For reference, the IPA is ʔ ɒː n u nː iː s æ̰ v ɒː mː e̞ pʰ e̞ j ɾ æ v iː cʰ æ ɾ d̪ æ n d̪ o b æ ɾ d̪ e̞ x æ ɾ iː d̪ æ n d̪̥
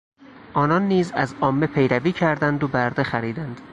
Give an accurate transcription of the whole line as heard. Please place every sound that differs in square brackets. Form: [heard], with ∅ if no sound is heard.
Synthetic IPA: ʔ ɒː n [ɒ] nː iː [z] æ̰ [z] ɒː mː e̞ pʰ e̞ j ɾ æ v iː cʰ æ ɾ d̪ æ n d̪ o b æ ɾ d̪ e̞ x æ ɾ iː d̪ æ n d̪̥